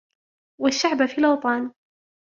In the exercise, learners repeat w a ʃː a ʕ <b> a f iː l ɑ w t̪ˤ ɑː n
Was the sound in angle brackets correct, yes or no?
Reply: yes